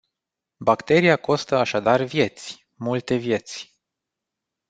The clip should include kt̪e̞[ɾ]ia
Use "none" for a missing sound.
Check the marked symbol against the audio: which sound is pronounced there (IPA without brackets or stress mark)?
ɾ